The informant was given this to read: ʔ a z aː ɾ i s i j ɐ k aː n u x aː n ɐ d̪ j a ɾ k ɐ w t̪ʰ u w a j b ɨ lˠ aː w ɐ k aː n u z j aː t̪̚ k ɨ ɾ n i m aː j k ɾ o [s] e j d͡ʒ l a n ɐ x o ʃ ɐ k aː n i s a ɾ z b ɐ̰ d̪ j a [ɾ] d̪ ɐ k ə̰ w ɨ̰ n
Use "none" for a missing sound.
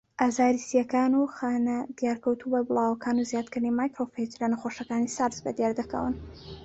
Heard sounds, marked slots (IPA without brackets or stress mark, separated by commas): f, ɾ